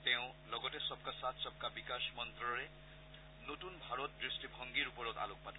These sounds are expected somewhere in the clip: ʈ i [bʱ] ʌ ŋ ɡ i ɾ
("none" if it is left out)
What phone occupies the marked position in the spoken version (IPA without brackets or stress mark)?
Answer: bʱ